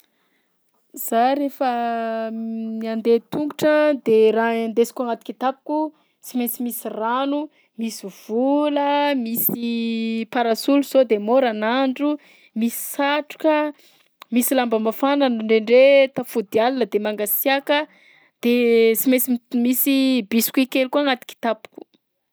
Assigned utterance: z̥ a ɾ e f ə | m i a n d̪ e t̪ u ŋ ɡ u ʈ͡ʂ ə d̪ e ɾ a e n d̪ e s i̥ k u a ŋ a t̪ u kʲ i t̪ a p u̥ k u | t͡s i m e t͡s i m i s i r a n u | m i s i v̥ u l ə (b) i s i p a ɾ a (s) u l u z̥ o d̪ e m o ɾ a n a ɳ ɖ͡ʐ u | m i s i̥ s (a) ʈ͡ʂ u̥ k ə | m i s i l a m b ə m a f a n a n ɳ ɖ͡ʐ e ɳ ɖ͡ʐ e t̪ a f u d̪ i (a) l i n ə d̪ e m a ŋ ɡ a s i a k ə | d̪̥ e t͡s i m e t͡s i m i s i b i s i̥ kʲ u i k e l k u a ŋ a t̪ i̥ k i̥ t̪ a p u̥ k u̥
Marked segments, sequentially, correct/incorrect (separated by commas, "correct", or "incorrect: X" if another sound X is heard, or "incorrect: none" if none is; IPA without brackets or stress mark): incorrect: m, correct, correct, correct